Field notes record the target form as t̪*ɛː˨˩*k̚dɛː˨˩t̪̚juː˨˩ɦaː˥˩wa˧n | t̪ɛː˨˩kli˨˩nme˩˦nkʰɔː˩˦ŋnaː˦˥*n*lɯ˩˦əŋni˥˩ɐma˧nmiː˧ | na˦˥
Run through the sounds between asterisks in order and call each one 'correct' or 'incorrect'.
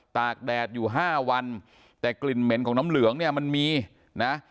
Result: incorrect, incorrect

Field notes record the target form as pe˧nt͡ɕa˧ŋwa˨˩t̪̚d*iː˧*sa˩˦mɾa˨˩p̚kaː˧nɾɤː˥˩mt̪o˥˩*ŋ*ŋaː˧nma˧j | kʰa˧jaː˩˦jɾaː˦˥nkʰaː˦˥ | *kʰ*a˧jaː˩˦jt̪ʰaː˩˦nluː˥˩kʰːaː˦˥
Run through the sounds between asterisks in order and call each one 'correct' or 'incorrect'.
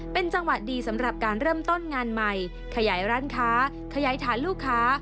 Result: correct, incorrect, correct

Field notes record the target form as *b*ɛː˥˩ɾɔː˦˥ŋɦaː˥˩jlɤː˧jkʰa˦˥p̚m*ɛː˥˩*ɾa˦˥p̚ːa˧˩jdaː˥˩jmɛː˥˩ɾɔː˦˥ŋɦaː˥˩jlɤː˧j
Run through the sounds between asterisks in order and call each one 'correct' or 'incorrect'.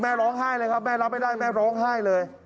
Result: incorrect, correct

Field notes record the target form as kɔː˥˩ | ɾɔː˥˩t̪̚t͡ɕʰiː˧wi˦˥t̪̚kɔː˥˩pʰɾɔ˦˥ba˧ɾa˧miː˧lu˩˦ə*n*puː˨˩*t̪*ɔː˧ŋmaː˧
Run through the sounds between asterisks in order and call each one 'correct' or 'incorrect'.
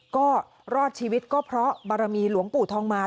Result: incorrect, incorrect

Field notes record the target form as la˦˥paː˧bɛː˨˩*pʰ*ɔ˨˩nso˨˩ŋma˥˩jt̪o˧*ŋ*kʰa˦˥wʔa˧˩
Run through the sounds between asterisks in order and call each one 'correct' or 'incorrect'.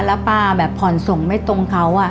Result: correct, correct

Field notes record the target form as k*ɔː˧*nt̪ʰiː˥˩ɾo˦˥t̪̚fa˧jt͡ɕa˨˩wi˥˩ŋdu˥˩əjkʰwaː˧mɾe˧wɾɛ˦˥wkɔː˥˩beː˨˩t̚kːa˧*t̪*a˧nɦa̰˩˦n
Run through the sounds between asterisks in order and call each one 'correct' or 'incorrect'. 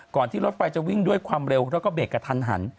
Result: incorrect, incorrect

